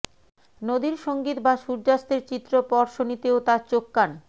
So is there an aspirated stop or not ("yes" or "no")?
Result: no